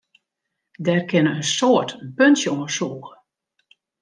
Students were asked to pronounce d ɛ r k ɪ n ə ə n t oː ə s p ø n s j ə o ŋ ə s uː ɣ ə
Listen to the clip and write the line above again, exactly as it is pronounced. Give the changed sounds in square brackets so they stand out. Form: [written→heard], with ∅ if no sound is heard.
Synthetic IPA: d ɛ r k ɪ n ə ə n [t→s] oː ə [s→t] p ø n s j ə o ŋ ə s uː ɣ ə